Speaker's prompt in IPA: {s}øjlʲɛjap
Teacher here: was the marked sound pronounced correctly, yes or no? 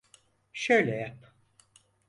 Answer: no